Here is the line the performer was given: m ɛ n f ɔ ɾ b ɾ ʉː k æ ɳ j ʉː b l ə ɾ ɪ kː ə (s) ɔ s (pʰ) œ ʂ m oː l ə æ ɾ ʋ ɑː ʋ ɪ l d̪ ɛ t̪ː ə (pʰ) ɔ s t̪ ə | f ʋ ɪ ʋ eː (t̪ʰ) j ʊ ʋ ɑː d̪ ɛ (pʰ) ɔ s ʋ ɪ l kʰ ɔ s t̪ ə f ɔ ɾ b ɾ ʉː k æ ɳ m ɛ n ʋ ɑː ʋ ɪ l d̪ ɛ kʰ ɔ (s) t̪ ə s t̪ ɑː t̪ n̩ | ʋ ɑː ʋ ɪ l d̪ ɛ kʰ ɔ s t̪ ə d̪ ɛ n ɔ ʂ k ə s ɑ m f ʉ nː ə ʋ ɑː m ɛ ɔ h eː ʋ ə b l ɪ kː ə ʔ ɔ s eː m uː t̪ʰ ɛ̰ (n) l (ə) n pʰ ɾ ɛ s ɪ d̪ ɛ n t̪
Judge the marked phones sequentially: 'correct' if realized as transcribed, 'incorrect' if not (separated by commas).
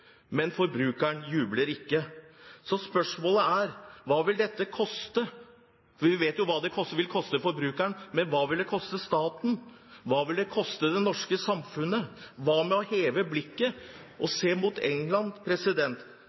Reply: correct, incorrect, incorrect, incorrect, incorrect, correct, incorrect, incorrect